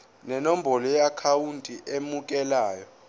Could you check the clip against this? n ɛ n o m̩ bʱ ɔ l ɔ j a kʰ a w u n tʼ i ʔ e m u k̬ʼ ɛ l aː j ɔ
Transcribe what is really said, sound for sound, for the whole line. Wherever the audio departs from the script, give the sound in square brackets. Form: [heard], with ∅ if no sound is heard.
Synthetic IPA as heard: n ɛ n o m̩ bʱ ɔ l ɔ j a kʰ a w u n tʼ i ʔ e m u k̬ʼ ɛ l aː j ɔ